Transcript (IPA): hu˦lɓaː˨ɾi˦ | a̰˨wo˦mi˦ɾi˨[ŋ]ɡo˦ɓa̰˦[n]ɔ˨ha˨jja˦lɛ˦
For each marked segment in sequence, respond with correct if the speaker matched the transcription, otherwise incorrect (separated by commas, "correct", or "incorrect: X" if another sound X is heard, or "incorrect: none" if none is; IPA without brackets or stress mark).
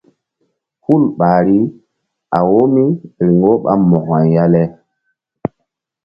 correct, incorrect: m